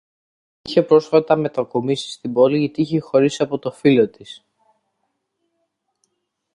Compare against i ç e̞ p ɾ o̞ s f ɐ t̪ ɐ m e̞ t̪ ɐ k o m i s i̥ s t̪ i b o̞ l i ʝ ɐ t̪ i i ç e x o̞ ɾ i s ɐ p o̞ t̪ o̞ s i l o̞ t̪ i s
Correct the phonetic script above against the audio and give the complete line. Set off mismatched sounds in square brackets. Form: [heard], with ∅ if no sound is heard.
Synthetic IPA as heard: i ç e̞ p ɾ o̞ s f ɐ t̪ ɐ m e̞ t̪ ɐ k o m i s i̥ s t̪ i b o̞ l i ʝ ɐ t̪ i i ç e x o̞ ɾ i s ɐ p o̞ t̪ o̞ [f] i l o̞ t̪ i s